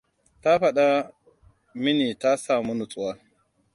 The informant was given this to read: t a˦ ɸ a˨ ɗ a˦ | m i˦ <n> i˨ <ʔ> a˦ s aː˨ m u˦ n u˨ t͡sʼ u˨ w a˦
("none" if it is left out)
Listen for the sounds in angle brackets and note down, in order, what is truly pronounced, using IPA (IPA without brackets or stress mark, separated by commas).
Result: n, t